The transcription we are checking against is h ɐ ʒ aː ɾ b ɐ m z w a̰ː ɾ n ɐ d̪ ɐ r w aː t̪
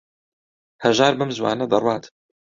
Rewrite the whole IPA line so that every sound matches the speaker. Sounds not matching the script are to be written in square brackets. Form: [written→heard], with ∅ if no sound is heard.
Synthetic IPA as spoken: h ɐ ʒ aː ɾ b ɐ m z w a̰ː [ɾ→∅] n ɐ d̪ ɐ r w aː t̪